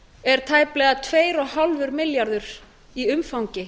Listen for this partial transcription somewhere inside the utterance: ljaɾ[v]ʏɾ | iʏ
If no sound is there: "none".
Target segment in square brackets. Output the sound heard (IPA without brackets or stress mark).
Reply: ð